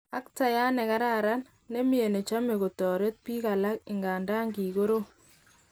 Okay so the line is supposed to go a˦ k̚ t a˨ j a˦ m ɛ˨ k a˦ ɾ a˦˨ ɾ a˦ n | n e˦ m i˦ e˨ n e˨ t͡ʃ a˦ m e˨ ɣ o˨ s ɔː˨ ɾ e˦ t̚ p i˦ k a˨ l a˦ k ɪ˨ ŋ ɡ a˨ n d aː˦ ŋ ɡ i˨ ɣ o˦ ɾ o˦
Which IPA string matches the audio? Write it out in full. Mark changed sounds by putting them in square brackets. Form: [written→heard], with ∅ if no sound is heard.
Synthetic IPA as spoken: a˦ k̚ t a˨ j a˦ [m→n] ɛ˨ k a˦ ɾ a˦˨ ɾ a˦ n | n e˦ m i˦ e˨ n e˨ t͡ʃ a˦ m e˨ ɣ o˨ [s→t] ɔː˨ ɾ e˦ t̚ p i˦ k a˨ l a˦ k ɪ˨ ŋ ɡ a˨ n d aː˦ ŋ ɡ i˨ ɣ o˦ ɾ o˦

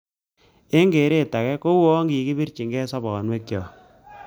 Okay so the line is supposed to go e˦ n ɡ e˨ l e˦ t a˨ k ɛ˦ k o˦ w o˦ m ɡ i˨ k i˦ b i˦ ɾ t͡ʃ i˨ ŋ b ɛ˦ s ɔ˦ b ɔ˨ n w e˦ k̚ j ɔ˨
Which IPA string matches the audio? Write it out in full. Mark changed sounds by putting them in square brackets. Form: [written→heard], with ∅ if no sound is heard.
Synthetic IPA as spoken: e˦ [n→ŋ] ɡ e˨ [l→ɾ] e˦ t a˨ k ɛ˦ k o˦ w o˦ [m→ŋ] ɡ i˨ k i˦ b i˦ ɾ t͡ʃ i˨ ŋ [b→ɡ] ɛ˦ s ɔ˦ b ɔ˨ n w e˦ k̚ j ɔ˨

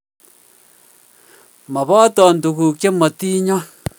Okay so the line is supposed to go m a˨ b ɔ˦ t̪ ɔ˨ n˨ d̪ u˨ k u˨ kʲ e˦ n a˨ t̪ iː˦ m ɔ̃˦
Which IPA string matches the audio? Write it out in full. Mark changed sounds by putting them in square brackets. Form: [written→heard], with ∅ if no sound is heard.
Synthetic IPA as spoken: m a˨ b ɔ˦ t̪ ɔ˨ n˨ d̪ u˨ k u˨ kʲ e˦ [n→m] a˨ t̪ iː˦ [m→ɲ] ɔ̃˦

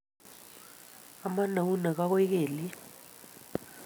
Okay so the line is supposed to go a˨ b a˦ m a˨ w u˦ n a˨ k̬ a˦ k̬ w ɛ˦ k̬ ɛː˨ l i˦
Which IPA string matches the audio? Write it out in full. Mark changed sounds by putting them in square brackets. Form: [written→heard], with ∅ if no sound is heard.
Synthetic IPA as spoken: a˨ [b→m] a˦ [m→n] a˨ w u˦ n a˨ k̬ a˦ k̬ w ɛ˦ k̬ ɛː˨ l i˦

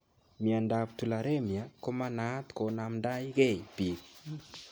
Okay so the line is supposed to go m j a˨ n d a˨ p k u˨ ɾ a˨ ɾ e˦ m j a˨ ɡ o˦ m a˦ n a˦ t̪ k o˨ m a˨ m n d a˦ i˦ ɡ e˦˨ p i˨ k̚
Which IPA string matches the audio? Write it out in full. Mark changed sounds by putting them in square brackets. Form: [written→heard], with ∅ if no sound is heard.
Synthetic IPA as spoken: m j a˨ n d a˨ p [k→t] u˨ [ɾ→l] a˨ ɾ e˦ m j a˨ [ɡ→k] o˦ m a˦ n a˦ t̪ k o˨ [m→n] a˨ m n d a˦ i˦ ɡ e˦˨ p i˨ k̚

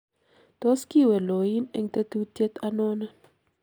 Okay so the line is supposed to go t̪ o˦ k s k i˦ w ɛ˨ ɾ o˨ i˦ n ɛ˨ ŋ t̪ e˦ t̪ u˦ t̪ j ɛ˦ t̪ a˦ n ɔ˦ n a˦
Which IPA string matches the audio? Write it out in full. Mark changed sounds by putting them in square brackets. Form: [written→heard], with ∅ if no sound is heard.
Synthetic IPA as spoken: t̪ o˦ [k→∅] s k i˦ w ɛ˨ [ɾ→l] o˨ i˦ n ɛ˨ ŋ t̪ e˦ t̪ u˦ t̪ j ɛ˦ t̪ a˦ n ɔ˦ n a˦

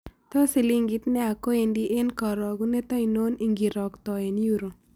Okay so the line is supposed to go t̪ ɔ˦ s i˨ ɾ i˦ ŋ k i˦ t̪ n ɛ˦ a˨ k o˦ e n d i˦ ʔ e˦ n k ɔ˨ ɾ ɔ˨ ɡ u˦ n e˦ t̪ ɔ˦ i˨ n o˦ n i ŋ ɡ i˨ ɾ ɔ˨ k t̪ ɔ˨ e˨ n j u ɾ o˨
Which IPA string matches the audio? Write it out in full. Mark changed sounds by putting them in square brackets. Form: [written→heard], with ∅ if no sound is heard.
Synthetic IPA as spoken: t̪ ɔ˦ s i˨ [ɾ→l] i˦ ŋ [k→ɡ] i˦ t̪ n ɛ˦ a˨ k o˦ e n d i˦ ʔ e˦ n k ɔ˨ ɾ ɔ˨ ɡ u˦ n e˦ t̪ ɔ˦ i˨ n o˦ n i ŋ ɡ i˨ ɾ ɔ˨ k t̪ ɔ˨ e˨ n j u ɾ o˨

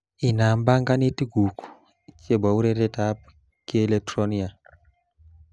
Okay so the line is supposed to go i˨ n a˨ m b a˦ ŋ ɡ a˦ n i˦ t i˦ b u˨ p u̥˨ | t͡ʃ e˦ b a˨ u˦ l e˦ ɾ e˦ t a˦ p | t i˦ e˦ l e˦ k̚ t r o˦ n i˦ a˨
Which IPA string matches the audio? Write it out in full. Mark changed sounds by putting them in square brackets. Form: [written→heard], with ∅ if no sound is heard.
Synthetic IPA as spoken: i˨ n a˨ m b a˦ ŋ ɡ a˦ n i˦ t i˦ [b→ɡ] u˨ [p→k] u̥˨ | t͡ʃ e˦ b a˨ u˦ [l→ɾ] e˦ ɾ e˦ t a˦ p | [t→k] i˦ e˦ l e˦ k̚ t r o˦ n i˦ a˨

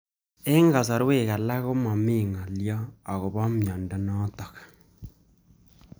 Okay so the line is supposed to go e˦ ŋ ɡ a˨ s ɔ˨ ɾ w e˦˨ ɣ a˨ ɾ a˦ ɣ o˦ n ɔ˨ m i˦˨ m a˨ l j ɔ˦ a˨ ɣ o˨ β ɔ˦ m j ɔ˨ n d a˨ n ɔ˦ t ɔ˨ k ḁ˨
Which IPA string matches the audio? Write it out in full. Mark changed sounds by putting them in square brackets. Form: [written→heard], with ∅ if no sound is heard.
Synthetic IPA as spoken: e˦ ŋ ɡ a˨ s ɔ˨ ɾ w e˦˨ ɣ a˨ [ɾ→l] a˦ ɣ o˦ [n→m] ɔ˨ m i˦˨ [m→ŋ] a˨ l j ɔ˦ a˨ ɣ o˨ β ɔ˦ m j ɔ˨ n d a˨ n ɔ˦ t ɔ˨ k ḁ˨

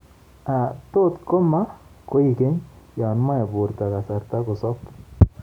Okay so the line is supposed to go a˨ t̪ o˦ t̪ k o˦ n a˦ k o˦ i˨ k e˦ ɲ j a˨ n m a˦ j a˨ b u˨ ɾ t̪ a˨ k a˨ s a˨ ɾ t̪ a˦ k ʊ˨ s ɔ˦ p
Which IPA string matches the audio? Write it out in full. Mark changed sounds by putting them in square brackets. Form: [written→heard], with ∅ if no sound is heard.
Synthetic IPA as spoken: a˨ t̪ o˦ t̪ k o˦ [n→m] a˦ k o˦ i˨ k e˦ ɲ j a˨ n m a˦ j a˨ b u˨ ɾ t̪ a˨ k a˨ s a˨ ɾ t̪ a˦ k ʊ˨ s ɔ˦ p

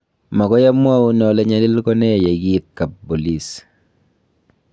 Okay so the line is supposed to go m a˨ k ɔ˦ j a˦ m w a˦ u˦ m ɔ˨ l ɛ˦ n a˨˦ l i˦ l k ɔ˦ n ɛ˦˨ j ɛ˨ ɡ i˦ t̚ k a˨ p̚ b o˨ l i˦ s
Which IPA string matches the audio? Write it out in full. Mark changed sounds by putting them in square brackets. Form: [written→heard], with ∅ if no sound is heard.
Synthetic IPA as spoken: m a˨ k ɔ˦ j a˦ m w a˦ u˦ [m→n] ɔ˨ l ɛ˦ [n→ɲ] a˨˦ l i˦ l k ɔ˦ n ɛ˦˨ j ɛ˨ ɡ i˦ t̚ k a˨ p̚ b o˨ l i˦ s

